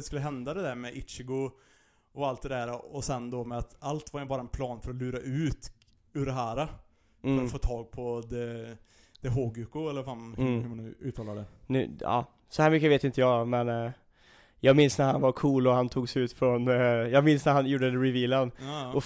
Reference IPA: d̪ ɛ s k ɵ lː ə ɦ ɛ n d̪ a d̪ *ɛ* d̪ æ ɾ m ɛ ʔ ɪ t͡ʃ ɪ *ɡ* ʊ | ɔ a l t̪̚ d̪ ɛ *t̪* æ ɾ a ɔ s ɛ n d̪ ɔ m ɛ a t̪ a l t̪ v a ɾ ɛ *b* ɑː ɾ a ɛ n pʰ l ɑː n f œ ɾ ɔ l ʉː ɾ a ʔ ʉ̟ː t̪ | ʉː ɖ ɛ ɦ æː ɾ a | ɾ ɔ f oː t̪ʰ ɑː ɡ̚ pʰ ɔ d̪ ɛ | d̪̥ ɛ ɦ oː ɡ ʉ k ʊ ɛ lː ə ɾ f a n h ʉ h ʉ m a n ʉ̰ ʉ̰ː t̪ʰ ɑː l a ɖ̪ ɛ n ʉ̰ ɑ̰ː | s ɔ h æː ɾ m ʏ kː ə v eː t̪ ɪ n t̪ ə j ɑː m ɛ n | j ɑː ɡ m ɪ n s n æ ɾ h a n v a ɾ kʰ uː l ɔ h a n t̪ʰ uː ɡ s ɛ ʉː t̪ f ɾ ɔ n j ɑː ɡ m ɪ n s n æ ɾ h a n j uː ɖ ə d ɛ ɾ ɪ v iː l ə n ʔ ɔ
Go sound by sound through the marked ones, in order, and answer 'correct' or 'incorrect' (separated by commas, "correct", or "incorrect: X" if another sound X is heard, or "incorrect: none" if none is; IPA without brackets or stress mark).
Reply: correct, correct, incorrect: d̪, correct